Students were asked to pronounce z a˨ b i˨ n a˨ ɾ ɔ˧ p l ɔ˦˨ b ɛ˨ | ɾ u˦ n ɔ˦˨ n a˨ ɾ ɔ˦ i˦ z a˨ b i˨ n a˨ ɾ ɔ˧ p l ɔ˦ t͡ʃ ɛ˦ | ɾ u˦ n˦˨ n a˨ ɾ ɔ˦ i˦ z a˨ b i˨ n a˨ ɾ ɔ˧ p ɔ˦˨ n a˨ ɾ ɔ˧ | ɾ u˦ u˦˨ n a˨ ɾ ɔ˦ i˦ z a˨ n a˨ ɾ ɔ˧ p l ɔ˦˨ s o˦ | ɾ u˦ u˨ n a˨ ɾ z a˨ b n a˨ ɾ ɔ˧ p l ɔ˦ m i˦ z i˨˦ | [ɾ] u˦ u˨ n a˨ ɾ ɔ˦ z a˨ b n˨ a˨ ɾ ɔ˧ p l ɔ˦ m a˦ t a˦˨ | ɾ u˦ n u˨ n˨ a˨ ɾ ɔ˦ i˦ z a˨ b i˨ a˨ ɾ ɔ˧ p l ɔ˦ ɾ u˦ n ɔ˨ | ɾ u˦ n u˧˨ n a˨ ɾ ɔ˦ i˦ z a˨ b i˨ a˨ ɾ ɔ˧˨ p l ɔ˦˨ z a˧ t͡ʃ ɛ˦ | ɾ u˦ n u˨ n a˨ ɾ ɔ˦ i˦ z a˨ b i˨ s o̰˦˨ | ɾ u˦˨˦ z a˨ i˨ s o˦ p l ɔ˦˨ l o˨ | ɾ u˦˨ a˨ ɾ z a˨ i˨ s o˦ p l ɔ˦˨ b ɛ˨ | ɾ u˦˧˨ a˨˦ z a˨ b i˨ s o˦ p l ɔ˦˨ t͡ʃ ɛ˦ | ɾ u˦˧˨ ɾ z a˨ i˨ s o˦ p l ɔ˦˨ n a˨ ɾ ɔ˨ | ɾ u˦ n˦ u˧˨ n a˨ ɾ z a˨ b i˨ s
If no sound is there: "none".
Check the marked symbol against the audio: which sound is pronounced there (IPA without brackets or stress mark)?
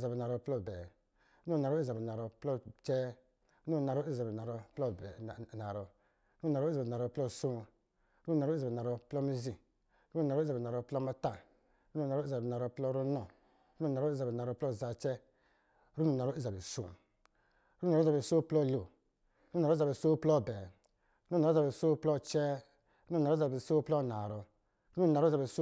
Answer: ɾ